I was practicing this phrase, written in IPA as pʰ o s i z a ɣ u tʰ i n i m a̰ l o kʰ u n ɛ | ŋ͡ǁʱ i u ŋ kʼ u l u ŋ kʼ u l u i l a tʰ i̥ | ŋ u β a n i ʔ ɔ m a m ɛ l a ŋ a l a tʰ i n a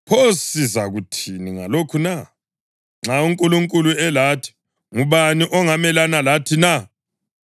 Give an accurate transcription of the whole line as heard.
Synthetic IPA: pʰ o s i z a ɣ u tʰ i n i ŋ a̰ l o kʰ u n a | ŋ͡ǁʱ a u ŋ kʼ u l u ŋ kʼ u l u ɛ l a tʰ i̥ | ŋ u β a n i ʔ ɔ ŋ a m ɛ l a n a l a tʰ i n a